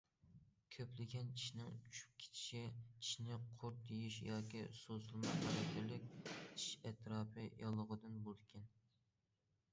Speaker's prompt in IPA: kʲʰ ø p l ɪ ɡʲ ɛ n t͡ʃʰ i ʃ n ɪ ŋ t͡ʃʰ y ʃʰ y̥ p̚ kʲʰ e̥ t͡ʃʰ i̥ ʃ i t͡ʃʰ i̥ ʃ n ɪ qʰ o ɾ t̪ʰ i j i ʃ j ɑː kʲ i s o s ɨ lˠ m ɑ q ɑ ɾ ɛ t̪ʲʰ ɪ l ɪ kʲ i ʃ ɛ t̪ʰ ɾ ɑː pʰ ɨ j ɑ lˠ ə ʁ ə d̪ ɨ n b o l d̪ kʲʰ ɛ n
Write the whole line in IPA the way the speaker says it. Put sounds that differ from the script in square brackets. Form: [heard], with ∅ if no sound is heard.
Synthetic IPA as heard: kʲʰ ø p l ɪ ɡʲ ɛ n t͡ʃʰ i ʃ n ɪ ŋ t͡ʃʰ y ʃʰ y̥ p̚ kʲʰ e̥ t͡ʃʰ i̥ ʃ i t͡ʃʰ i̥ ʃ n ɪ qʰ o ɾ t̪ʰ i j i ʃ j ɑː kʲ i s o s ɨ lˠ m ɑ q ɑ ɾ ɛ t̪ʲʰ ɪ l ɪ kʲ i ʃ ɛ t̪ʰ ɾ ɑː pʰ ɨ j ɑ lˠ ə ʁ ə d̪ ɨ n b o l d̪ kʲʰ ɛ n